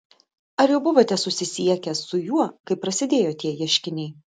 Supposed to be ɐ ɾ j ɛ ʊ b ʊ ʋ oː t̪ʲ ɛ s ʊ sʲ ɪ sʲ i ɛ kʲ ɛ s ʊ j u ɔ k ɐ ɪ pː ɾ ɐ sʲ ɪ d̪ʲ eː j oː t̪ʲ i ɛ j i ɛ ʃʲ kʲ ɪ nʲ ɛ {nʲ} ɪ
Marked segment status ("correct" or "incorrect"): incorrect